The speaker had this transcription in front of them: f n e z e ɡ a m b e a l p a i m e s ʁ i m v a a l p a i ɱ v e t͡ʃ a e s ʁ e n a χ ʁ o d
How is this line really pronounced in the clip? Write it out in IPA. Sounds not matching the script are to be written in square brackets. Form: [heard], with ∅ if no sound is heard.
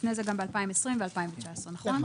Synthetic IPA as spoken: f n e z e ɡ a m b e a l p a i m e s ʁ i m v [e] a l p a i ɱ v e t͡ʃ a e s ʁ e n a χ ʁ o [n]